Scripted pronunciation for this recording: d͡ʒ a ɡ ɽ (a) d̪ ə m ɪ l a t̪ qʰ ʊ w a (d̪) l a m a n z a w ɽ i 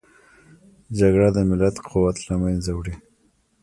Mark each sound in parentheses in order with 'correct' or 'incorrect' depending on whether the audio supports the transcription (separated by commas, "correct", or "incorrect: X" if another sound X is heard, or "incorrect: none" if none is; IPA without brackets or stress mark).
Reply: correct, incorrect: t̪